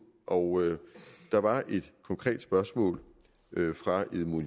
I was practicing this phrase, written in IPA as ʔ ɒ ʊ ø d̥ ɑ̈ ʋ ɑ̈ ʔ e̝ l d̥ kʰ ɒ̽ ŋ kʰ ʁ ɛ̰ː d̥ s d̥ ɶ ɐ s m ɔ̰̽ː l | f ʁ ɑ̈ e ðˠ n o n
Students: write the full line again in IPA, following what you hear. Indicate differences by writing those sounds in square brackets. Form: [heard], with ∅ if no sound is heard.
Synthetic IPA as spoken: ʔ ɒ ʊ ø d̥ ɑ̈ ʋ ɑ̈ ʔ e̝ [∅] d̥ kʰ ɒ̽ ŋ kʰ ʁ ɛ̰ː d̥ s [b̥] ɶ ɐ s m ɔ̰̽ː l | f ʁ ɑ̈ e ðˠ [m] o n